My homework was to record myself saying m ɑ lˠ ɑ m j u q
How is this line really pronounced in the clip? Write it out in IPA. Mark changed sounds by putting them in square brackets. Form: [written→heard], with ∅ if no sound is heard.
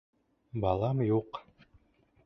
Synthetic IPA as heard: [m→b] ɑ lˠ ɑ m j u q